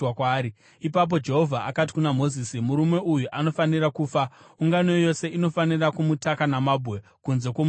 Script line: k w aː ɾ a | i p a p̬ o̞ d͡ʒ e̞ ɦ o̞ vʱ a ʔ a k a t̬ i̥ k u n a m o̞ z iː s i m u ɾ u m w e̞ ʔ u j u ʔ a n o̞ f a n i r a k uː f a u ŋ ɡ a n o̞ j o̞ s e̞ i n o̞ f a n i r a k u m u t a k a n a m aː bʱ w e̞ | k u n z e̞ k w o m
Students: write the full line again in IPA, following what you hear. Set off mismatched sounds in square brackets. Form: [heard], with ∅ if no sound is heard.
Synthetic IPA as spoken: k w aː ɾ [i] | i p a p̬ o̞ d͡ʒ e̞ ɦ o̞ vʱ a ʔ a k a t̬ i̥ k u n a m o̞ z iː s i m u ɾ u m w e̞ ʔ u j u ʔ a n o̞ f a n i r a k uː f a u ŋ ɡ a n o̞ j o̞ s e̞ i n o̞ f a n i r a k u m u t a k a n a m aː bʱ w e̞ | k u n z e̞ k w o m

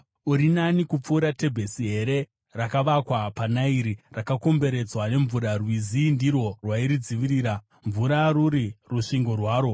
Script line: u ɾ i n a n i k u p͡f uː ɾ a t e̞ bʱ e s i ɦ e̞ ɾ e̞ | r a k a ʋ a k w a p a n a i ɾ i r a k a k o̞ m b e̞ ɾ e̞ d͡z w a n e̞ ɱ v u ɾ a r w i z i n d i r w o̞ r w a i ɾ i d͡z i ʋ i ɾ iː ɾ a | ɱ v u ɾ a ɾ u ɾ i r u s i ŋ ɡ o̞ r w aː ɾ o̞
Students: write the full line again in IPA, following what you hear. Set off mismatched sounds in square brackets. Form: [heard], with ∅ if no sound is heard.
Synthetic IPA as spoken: u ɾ i n a n i k u p͡f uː ɾ a t e̞ bʱ e s i ɦ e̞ ɾ e̞ | r a k a ʋ a k w a p a n a i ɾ i r a k a k o̞ m b e̞ ɾ e̞ d͡z w a n e̞ ɱ v u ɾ a r w i z i n d i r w o̞ r w a i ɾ i d͡z i ʋ i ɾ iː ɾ a | ɱ v u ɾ a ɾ u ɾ i r u [ʂ] i ŋ ɡ o̞ r w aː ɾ o̞

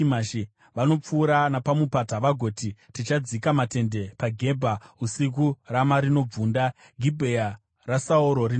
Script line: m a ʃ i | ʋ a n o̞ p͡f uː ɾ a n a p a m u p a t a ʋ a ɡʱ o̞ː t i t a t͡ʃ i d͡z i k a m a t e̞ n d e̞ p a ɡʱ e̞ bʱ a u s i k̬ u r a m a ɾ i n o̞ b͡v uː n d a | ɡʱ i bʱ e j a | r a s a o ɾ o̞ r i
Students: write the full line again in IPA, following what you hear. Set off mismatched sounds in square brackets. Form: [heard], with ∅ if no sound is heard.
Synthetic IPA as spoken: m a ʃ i | ʋ a n o̞ p͡f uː ɾ a n a p a m u p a t a ʋ a ɡʱ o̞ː t i t [i] t͡ʃ [a] d͡z i k a m a t e̞ n d e̞ p a ɡʱ e̞ bʱ a u s i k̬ u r a m a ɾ i n o̞ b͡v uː n d a | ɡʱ i bʱ e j a | r a s a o ɾ o̞ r i

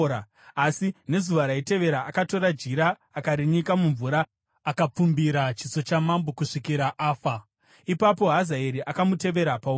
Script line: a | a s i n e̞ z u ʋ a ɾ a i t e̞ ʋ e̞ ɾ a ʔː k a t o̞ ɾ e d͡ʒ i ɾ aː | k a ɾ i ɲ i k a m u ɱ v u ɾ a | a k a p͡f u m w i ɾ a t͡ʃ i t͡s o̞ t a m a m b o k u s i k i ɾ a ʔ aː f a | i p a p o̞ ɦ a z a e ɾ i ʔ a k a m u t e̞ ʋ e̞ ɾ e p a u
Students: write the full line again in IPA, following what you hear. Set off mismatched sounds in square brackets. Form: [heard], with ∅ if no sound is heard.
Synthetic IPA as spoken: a | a s i n e̞ z u ʋ a ɾ a i t e̞ ʋ e̞ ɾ a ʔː k a t o̞ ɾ [a] d͡ʒ i ɾ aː | k a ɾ i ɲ i k a m u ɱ v u ɾ a | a k a p͡f u m [b] i ɾ a t͡ʃ i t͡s o̞ [t͡ʃ] a m a m b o k u [ʂ] i k i ɾ a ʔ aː f a | i p a p o̞ ɦ a z a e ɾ i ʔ a k a m u t e̞ ʋ e̞ ɾ [a] p a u

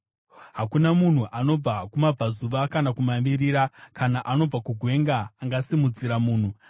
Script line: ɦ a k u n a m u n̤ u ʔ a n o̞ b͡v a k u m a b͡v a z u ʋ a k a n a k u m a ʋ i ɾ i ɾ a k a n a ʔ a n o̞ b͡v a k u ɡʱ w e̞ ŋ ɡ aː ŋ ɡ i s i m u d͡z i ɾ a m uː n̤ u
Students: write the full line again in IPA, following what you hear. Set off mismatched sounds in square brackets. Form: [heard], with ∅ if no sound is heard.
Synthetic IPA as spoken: ɦ a k u n a m u n̤ u ʔ a n o̞ b͡v a k u m a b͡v a z u ʋ a k a n a k u m a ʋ i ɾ i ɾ a k a n a ʔ a n o̞ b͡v a k u ɡʱ w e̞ ŋ ɡ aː ŋ ɡ [a] s i m u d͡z i ɾ a m uː n̤ u

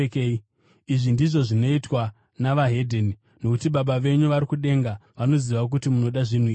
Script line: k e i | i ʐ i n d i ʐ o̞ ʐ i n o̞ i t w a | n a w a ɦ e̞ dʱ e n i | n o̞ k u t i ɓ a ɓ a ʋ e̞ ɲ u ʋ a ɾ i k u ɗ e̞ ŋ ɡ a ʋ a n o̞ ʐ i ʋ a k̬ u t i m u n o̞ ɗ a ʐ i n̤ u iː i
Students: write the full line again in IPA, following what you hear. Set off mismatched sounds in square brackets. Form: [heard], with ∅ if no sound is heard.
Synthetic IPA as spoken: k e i | i ʐ i n d i ʐ o̞ ʐ i n o̞ i t w a | n a [ʋ] a ɦ e̞ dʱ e n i | n o̞ k u t i ɓ a ɓ a ʋ e̞ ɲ u ʋ a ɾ i k u ɗ e̞ ŋ ɡ a ʋ a n o̞ [z] i ʋ a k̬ u t i m u n o̞ ɗ a ʐ i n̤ u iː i

